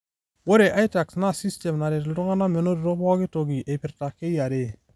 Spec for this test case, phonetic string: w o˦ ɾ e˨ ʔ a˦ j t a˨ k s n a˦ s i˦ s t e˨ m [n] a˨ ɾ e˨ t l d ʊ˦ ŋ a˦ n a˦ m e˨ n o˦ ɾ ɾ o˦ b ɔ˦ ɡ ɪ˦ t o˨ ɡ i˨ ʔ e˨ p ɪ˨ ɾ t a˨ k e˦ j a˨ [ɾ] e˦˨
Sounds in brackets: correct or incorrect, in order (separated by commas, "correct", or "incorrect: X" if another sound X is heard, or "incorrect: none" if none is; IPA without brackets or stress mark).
correct, correct